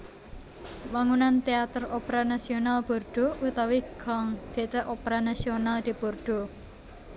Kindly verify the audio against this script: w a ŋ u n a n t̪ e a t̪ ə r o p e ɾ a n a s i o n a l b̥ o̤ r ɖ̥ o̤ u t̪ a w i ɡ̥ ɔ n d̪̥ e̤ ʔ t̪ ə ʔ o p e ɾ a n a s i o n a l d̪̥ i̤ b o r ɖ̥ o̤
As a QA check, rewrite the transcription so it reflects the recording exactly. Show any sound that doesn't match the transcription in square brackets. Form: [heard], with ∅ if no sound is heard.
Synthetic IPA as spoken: w a ŋ u n a n t̪ e a t̪ ə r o p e ɾ a n a s i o n a l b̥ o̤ r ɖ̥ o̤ u t̪ a w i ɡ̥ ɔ [ŋ] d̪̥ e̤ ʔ t̪ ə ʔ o p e ɾ a n a s i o n a l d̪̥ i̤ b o r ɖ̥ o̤